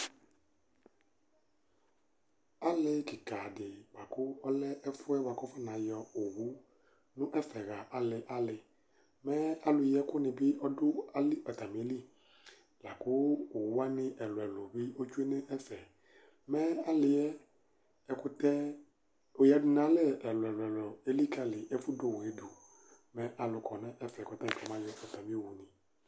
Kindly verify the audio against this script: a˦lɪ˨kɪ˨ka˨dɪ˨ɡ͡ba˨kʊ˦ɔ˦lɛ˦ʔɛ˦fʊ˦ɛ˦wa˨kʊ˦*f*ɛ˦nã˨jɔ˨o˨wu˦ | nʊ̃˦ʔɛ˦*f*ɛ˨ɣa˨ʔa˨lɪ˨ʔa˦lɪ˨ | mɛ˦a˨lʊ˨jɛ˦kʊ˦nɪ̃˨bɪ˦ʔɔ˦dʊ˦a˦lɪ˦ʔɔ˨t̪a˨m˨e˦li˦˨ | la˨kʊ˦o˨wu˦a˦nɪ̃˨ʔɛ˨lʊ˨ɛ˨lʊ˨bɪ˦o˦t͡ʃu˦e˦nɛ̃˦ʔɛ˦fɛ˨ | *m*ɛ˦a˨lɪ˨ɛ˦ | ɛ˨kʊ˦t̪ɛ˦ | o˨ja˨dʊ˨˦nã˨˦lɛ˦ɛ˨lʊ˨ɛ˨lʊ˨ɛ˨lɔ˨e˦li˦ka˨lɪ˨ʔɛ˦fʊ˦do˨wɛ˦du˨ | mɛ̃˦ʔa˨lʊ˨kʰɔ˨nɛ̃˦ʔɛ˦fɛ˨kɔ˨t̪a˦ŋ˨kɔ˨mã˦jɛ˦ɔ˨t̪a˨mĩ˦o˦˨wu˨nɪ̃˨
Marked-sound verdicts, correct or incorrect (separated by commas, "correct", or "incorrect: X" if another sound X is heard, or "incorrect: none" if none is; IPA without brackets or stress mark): correct, correct, correct